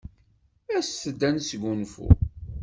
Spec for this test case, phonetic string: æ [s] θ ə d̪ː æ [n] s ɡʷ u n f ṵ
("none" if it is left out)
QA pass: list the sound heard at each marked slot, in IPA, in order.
s, n

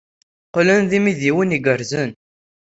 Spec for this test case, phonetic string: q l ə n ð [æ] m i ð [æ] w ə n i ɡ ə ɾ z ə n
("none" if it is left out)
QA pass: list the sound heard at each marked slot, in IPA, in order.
i, i

